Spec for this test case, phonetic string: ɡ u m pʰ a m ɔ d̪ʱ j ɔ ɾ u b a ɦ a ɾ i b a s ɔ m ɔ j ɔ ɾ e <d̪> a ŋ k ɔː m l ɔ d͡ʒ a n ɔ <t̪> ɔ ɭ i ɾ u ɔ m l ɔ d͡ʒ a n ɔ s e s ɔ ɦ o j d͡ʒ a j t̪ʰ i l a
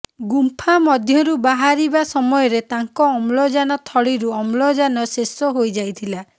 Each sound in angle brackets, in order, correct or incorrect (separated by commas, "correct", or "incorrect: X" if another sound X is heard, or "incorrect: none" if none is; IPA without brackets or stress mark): incorrect: t̪, incorrect: t̪ʰ